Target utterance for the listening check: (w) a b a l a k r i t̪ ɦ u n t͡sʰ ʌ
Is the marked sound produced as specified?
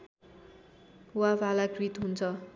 yes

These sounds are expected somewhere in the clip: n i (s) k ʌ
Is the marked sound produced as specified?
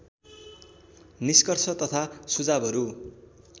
yes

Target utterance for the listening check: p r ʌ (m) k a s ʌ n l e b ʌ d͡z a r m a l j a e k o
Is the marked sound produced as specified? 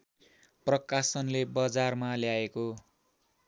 no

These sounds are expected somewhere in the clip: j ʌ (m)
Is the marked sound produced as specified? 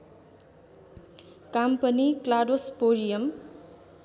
yes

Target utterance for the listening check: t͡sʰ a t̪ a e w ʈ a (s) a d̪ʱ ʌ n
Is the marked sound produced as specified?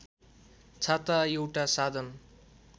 yes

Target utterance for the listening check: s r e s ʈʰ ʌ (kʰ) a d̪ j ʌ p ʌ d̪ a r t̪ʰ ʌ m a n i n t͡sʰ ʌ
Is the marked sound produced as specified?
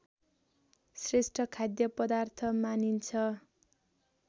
yes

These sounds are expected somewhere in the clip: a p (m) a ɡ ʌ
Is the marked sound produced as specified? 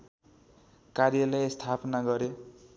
no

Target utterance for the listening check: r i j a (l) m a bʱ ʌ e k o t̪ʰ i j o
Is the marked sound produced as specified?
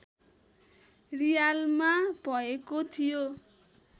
yes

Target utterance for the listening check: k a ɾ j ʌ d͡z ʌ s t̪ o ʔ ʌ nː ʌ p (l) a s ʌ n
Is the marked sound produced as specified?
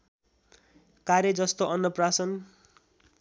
no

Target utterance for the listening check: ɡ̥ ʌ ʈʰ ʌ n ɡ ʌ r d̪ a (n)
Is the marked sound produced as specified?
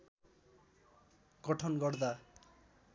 no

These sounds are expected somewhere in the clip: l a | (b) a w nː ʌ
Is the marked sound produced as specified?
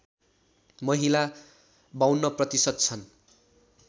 yes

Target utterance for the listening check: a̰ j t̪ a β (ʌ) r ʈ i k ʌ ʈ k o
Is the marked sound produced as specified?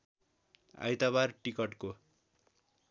no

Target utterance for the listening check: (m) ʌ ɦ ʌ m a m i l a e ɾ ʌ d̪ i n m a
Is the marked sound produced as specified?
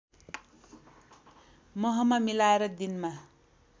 yes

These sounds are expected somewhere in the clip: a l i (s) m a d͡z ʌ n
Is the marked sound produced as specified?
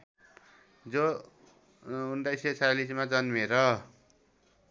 yes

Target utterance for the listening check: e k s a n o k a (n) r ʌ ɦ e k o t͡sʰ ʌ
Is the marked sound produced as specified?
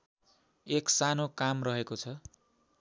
no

